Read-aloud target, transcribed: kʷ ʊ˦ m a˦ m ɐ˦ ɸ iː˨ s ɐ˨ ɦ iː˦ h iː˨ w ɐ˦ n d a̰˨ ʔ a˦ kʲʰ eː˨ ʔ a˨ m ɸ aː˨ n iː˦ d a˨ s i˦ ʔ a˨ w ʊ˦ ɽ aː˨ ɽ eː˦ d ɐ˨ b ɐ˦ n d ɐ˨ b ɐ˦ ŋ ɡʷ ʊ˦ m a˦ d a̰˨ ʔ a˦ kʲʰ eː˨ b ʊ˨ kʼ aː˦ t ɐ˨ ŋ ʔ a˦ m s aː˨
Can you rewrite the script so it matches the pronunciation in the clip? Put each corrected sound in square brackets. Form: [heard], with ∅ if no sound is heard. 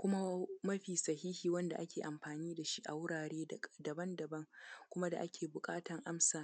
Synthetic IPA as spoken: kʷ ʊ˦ m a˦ m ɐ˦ ɸ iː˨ s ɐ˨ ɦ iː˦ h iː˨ w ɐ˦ n d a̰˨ ʔ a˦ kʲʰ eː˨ ʔ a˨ m ɸ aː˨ n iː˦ d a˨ [ʃ] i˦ ʔ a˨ w ʊ˦ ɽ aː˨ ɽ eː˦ d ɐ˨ b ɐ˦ n d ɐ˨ b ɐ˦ ŋ [kʷ] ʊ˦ m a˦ d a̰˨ ʔ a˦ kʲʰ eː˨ b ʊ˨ kʼ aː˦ t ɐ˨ ŋ ʔ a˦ m s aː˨